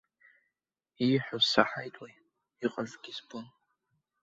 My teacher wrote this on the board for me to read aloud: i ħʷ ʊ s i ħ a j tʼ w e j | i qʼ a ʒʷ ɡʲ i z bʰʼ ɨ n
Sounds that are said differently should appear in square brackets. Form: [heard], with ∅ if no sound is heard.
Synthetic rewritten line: i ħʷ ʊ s [a] ħ a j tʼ w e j | i qʼ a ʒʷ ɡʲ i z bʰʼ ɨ n